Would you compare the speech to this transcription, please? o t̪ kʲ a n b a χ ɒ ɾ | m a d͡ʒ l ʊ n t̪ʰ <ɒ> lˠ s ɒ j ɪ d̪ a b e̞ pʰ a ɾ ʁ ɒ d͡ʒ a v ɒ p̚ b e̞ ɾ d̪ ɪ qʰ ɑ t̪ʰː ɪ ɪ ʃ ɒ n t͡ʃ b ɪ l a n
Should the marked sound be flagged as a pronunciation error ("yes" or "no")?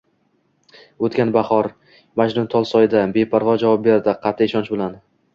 no